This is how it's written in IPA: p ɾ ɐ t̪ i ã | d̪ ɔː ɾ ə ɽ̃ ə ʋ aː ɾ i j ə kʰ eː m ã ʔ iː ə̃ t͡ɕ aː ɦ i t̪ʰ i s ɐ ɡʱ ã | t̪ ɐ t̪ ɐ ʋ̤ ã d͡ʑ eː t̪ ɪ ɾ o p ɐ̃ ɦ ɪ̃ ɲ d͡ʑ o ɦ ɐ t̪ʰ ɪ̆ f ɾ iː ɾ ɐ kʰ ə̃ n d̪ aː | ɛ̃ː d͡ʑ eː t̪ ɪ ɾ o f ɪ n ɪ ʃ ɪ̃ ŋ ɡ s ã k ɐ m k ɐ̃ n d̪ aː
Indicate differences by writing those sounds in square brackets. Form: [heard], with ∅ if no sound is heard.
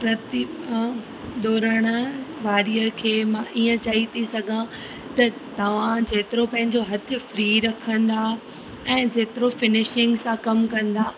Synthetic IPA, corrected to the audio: p ɾ ɐ t̪ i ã | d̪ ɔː ɾ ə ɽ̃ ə ʋ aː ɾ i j ə kʰ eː m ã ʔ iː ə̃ t͡ɕ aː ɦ i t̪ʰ i s ɐ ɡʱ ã | t̪ ɐ t̪ ɐ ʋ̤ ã d͡ʑ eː t̪ ɪ ɾ o p ɐ̃ ɦ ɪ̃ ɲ d͡ʑ o ɦ ɐ t̪ʰ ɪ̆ f ɾ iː ɾ ɐ kʰ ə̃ n d̪ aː | ɛ̃ː d͡ʑ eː t̪ ɪ ɾ o f ɪ n ɪ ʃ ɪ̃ ŋ ɡ s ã k ɐ m k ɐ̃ n d̪ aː